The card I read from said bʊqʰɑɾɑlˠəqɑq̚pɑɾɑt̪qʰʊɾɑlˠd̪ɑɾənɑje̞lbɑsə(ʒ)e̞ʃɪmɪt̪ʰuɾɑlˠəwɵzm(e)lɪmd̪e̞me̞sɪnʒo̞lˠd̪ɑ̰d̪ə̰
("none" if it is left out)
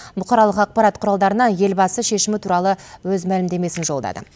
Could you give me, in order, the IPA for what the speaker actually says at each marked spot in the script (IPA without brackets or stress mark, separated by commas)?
ʃ, æ